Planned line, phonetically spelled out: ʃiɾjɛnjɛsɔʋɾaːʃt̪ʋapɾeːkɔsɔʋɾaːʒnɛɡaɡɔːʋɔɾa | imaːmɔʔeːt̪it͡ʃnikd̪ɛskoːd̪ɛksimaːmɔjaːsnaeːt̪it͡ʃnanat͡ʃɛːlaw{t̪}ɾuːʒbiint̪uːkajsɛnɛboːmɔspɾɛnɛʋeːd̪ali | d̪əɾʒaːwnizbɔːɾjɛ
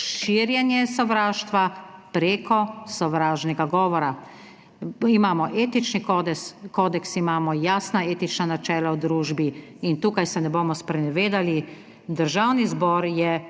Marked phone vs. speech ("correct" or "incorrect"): incorrect